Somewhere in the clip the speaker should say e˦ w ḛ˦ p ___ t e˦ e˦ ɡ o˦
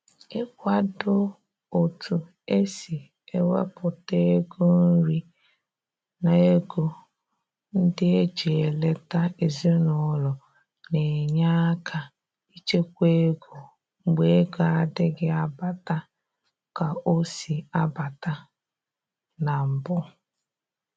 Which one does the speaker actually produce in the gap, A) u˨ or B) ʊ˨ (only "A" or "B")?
B